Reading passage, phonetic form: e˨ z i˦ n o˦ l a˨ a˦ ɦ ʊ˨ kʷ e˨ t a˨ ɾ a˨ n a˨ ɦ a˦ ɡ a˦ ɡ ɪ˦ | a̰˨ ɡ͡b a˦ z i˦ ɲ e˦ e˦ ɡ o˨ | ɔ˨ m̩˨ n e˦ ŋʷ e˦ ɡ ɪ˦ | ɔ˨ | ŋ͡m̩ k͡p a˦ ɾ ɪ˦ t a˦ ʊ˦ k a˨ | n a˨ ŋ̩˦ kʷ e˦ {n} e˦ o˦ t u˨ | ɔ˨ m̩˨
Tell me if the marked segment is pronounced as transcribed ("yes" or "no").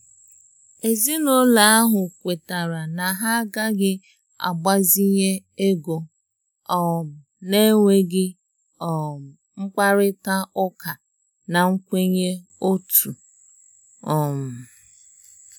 no